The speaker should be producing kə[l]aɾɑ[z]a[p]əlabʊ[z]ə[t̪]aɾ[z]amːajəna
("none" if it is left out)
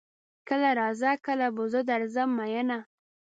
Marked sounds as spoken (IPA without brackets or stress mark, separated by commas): l, z, k, z, d̪, z